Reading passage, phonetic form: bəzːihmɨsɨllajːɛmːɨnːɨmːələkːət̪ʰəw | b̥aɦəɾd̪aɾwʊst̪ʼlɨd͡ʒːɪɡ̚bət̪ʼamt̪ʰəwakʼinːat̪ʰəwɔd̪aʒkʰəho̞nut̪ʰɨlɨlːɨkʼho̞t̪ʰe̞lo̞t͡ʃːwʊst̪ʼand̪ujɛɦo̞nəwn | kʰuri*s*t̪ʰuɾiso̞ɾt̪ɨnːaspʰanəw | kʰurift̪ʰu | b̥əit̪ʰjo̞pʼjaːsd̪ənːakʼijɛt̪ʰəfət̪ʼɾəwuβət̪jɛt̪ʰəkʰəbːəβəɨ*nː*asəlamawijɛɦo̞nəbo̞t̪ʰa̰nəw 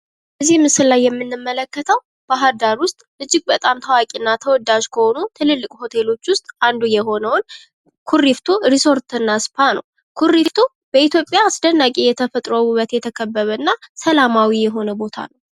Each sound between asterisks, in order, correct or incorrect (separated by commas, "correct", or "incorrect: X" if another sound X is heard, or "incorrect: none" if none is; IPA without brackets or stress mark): incorrect: f, correct